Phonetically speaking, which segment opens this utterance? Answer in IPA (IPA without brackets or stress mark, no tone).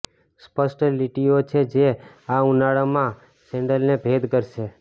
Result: s